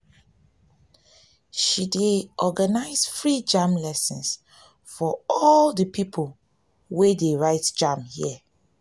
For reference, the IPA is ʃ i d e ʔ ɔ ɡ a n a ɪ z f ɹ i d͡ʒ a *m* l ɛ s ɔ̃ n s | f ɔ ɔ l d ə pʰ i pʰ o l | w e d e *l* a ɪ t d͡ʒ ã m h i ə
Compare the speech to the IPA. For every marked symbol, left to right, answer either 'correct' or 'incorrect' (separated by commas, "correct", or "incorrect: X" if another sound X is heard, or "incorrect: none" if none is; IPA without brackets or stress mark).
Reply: correct, incorrect: ɹ